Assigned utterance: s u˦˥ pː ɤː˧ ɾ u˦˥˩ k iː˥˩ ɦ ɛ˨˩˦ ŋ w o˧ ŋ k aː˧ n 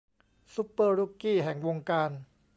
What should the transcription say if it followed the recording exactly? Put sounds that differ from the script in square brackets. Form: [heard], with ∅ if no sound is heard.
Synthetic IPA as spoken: s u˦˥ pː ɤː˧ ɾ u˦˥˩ k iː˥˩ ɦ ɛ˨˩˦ ŋ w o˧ ŋ k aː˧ n